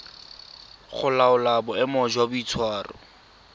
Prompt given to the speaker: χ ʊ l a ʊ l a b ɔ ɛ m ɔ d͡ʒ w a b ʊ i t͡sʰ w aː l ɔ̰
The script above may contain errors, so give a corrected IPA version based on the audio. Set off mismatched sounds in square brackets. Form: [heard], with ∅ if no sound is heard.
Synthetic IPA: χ ʊ l a ʊ l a b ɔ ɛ m ɔ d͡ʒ w a b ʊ i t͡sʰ w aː [r] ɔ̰

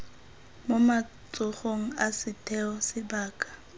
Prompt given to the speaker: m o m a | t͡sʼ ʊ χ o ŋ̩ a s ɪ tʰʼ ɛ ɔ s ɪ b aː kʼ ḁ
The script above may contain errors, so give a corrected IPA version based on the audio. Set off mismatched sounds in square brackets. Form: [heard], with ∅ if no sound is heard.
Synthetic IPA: m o m a | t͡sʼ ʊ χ o ŋ̩ a s ɪ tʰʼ ɛ ɔ s ɪ b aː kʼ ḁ

